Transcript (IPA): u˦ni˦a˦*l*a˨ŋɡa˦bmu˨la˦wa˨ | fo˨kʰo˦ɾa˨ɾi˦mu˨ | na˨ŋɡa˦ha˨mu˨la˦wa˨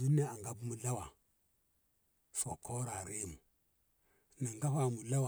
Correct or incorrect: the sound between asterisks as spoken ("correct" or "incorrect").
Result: incorrect